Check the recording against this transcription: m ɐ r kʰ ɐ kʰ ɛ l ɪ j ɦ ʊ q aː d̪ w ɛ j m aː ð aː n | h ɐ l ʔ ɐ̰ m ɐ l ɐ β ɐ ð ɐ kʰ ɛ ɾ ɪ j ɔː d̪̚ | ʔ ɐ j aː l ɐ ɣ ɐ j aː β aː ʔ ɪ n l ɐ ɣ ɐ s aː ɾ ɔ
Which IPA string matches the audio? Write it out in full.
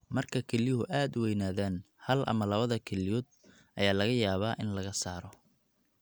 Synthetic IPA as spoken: m ɐ r kʰ ɐ kʰ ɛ l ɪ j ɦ ʊ ʔ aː d̪ w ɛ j n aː ð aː n | h ɐ l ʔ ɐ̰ m ɐ l ɐ β ɐ ð ɐ kʰ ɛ l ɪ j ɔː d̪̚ | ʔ ɐ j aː l ɐ ɣ ɐ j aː β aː ʔ ɪ n l ɐ ɣ ɐ s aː ɾ ɔ